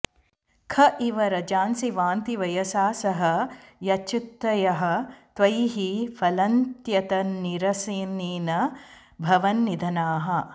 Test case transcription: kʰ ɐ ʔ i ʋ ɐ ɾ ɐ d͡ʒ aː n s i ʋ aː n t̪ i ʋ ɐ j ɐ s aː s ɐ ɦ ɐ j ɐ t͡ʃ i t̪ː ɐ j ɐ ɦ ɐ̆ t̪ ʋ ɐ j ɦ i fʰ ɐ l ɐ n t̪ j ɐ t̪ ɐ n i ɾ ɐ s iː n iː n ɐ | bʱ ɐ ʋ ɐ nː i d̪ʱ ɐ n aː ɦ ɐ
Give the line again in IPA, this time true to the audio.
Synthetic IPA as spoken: kʰ ɐ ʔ i ʋ ɐ ɾ ɐ d͡ʒ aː n s i ʋ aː n t̪ i ʋ ɐ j ɐ s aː s ɐ ɦ ɐ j ɐ t͡ʃ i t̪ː ɐ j ɐ ɦ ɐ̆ t̪ ʋ ɐ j ɦ i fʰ ɐ l ɐ n t̪ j ɐ t̪ ɐ n i ɾ ɐ s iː n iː n ɐ | bʱ ɐ ʋ ɐ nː i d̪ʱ ɐ n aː ɦ ɐ